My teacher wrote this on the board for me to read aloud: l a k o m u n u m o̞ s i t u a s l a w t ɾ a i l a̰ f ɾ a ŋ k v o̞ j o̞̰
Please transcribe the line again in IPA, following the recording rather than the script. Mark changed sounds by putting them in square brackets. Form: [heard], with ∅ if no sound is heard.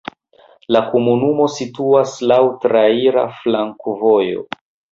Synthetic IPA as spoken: l a k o m u n u m o̞ s i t u a s l a w t ɾ a i [ɾ] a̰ f [l] a ŋ k v o̞ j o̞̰